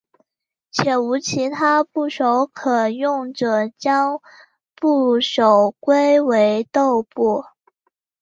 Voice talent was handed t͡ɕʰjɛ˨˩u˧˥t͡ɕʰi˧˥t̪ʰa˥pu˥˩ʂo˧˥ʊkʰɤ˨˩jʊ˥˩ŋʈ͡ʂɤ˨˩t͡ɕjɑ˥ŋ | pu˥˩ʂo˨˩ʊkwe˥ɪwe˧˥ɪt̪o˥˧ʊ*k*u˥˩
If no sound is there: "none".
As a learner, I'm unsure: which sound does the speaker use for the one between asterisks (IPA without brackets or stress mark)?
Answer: p